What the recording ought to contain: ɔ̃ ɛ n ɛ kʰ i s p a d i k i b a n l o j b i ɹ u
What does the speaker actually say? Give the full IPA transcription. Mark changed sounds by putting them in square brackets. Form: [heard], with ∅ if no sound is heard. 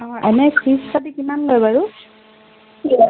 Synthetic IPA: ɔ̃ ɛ n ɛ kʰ i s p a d i k i [m] a n l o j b [a] ɹ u